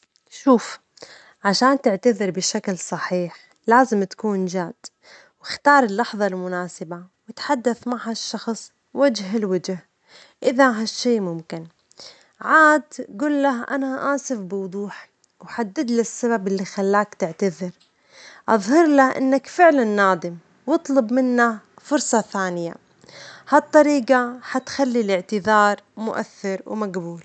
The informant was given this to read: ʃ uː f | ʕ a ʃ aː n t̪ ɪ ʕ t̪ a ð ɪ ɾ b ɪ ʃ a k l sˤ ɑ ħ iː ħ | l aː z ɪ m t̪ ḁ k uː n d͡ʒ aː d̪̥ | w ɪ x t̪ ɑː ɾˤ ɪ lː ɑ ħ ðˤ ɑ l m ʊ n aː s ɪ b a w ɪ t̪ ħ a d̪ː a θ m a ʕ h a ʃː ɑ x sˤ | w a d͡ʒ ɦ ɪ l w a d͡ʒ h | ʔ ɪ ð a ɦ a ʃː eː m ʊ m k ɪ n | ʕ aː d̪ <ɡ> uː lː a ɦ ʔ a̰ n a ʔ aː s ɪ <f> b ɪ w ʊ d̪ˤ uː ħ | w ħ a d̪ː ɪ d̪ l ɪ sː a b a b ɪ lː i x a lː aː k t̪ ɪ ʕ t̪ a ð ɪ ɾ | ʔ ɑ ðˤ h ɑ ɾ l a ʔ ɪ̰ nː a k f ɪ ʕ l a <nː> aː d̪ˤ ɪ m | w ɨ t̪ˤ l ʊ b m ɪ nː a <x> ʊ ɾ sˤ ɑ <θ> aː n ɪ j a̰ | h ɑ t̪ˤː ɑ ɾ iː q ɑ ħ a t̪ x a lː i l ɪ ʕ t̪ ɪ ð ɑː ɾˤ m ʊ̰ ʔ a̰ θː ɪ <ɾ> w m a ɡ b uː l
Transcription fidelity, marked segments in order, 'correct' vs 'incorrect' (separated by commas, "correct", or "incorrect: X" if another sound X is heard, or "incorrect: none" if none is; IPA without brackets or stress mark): correct, correct, correct, incorrect: f, correct, correct